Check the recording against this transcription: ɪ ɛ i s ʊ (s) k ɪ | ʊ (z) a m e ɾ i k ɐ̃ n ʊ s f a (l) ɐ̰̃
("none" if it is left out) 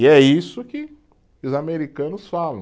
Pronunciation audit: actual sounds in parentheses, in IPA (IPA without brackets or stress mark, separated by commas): none, z, l